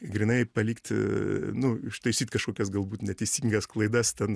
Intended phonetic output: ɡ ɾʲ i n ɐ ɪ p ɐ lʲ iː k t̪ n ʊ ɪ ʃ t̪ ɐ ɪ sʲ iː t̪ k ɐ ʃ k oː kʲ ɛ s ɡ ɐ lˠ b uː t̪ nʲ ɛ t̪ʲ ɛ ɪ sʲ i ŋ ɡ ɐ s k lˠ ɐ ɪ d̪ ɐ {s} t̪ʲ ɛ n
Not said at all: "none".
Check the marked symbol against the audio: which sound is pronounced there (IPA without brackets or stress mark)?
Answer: s